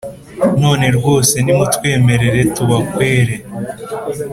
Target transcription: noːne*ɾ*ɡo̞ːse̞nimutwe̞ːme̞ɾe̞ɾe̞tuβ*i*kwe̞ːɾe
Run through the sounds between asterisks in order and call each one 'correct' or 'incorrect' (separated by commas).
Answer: correct, incorrect